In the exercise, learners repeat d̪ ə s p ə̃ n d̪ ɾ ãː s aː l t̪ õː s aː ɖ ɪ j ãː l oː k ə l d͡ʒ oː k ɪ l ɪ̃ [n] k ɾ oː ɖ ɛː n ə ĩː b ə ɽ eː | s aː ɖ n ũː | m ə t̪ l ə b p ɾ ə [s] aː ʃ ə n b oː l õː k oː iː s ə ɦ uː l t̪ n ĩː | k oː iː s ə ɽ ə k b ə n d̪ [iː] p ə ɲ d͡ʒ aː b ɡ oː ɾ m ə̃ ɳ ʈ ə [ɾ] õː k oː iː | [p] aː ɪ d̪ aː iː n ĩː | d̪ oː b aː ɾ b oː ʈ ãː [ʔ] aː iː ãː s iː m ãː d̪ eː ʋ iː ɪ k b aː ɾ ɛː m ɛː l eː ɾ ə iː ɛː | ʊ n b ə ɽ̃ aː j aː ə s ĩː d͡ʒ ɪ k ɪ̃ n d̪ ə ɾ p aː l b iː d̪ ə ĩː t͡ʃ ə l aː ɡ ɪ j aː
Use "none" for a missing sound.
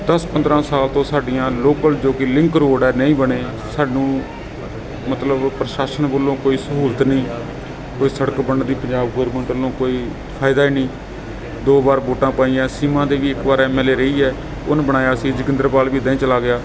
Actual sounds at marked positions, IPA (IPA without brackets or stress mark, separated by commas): ŋ, ʃ, iː, l, pʰ, p